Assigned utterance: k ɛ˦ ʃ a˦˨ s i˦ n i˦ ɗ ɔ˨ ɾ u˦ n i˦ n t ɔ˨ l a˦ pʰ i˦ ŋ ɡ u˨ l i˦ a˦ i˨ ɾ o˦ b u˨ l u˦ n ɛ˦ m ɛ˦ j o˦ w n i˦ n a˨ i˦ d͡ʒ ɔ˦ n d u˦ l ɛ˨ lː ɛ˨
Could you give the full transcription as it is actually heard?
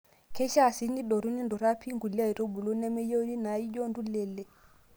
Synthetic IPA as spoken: k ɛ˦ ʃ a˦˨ s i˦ n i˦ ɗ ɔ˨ ɾ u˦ n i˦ n d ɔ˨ ɾ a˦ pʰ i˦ ŋ ɡ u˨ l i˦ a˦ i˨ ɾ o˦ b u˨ l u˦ n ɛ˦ m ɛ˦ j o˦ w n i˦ n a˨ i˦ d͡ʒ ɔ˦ n d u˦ l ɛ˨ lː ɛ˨